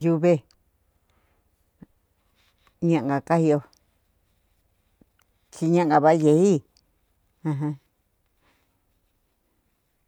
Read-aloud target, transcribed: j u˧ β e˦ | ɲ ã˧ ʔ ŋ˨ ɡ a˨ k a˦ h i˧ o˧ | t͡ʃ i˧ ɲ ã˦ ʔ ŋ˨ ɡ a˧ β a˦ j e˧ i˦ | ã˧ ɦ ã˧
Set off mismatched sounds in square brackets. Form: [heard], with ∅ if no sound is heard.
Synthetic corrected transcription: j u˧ β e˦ | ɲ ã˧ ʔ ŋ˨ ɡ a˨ k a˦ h i˧ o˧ | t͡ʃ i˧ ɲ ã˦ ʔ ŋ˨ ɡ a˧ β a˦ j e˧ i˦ | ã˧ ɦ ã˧

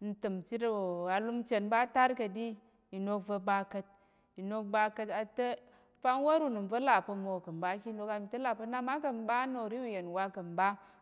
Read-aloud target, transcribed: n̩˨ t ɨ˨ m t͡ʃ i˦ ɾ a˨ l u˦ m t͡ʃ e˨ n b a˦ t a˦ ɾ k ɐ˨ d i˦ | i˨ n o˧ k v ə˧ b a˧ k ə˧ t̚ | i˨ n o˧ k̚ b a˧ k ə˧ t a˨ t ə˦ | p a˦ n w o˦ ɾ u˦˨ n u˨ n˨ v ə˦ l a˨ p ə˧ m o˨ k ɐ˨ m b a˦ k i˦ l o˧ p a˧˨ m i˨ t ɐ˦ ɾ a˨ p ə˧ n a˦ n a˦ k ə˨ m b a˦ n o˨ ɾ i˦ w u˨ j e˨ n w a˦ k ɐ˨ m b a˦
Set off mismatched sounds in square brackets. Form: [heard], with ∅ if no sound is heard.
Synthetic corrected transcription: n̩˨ t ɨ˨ m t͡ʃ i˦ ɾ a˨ l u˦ m t͡ʃ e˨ n b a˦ t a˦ ɾ k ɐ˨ d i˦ | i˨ n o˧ k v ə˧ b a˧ k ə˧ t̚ | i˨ n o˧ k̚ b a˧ k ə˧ t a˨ t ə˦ | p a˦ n w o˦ ɾ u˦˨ n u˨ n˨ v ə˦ l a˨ p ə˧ m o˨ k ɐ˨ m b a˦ k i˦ l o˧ [k] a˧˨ m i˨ t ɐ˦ [l] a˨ p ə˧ n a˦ [m] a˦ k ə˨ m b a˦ n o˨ ɾ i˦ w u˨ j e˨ n w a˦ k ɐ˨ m b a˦

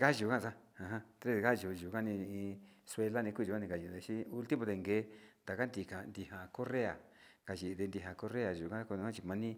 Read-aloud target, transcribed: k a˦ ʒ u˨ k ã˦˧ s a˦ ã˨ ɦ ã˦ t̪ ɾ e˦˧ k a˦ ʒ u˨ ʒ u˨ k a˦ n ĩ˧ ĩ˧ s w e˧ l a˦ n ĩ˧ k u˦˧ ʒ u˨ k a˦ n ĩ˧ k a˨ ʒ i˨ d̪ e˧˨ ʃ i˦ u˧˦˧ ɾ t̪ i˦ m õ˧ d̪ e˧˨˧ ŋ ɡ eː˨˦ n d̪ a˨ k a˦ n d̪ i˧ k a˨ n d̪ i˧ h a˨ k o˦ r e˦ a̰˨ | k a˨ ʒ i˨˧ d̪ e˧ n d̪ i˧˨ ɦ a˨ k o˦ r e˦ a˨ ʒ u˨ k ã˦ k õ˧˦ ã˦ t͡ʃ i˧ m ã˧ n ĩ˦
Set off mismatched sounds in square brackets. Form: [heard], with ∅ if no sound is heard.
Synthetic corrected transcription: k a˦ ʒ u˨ k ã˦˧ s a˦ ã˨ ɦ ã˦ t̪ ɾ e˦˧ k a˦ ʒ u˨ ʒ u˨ k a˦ n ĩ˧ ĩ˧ s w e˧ l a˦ n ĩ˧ k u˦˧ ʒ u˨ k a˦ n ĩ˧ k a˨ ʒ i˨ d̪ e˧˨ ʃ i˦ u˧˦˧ [l] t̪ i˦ m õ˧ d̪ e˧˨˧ ŋ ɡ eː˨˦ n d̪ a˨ k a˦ n d̪ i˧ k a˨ n d̪ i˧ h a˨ k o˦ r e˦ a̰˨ | k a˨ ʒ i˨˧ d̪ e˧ n d̪ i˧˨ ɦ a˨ k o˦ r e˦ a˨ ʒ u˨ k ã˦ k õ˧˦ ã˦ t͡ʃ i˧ m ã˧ n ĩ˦

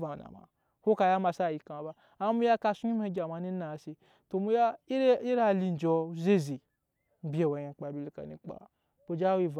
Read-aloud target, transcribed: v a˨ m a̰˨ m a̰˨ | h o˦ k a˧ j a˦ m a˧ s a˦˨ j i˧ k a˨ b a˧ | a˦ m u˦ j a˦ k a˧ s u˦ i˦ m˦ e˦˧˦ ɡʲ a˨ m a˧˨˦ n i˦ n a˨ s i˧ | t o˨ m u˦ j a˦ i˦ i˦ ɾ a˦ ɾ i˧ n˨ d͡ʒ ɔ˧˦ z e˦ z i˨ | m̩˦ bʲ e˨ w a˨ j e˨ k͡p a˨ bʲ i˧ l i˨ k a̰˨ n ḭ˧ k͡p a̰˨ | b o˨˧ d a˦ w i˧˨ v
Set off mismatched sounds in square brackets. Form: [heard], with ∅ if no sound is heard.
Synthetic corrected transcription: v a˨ [n] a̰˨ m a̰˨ | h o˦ k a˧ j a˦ m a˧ s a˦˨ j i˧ k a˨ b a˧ | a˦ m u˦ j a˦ k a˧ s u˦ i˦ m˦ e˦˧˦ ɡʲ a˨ m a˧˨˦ n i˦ n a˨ s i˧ | t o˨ m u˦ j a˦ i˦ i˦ ɾ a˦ [l] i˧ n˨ d͡ʒ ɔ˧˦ z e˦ z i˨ | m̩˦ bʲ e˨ w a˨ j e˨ k͡p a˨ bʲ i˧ l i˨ k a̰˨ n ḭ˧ k͡p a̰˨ | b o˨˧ [d͡ʒ] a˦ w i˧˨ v

